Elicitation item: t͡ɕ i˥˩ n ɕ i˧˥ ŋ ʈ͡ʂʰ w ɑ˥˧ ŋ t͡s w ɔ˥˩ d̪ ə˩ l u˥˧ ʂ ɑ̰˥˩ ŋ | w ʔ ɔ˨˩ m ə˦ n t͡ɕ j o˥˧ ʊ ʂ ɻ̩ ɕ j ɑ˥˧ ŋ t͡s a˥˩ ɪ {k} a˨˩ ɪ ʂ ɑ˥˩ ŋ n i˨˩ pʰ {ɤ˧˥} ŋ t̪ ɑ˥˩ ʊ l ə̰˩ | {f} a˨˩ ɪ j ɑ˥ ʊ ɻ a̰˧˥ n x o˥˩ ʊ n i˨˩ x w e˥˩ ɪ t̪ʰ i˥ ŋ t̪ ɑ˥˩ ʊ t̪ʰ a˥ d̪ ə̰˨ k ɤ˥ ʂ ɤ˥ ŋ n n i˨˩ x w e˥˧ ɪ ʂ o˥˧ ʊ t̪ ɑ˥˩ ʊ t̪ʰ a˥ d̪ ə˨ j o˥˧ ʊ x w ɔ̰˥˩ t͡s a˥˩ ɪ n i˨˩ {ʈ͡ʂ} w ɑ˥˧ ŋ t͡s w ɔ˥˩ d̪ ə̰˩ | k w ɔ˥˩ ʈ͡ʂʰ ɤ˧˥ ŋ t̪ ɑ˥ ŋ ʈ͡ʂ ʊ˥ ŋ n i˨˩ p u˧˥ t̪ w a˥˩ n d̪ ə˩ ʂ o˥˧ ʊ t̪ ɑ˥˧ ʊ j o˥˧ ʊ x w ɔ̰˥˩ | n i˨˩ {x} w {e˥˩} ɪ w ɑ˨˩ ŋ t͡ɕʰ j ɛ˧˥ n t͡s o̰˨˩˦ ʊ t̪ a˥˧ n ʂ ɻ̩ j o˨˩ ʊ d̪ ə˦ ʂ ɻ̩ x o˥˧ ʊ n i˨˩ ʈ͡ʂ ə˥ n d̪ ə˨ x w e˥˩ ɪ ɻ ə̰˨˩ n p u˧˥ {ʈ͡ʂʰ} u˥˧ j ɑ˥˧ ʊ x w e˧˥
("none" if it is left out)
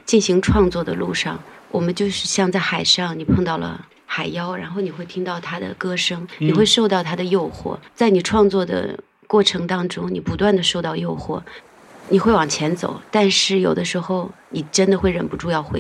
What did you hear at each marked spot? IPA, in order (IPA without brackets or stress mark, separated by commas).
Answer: x, ɤ˥˧, x, ʈ͡ʂʰ, x, e˥˩, ʈ͡ʂ